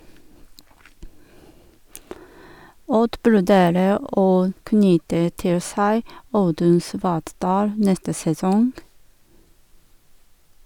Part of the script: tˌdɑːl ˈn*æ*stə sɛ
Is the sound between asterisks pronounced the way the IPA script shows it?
no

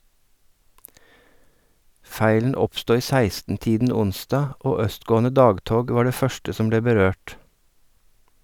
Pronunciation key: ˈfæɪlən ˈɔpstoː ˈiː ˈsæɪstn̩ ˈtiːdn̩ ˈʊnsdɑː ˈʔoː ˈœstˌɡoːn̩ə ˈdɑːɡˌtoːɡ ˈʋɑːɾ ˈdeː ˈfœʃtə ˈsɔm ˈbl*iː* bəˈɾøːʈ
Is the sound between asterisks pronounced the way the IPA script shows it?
no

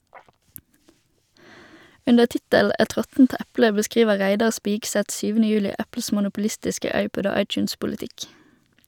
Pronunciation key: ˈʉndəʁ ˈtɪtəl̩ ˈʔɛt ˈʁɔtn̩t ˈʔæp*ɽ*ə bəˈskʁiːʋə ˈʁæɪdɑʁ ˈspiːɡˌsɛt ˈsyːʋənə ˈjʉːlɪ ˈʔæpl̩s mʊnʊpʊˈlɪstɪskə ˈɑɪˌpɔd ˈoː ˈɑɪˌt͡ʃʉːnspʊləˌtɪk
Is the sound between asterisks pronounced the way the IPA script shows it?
no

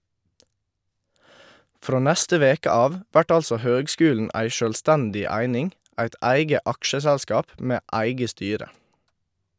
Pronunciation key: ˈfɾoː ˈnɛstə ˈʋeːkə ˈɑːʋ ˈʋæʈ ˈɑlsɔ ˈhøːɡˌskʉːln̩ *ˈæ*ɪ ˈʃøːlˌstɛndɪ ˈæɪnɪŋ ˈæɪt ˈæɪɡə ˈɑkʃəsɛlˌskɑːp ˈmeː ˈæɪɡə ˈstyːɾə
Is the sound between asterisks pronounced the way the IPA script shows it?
yes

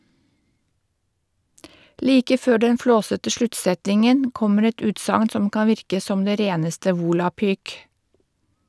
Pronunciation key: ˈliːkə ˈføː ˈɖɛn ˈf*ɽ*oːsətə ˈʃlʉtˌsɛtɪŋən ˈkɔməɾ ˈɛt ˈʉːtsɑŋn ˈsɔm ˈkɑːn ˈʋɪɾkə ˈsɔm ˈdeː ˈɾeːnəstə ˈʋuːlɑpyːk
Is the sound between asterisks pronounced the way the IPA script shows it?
no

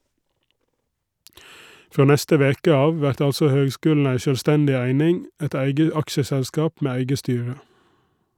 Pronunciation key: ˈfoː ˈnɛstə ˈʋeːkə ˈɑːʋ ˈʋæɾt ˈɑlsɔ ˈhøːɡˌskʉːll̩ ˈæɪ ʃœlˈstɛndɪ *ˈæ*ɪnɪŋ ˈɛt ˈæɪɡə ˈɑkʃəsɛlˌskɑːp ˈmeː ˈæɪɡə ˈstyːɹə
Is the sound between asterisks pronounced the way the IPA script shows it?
yes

